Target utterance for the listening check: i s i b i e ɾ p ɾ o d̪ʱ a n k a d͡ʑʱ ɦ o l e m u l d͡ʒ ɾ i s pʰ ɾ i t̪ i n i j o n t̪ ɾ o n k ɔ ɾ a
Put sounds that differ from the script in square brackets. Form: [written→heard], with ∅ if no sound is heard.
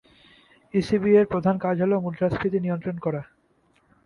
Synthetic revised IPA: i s i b i e ɾ p ɾ o d̪ʱ a n k a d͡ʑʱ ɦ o l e m u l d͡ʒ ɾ [i→a] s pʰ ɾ i t̪ i n i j o n t̪ ɾ o n k ɔ ɾ a